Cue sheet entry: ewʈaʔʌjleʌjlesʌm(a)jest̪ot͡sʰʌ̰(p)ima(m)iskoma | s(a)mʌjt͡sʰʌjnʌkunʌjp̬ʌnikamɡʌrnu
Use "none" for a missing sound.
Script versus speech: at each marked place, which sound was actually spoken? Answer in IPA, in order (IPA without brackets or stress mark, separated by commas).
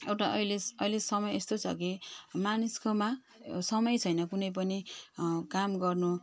ʌ, k, n, ʌ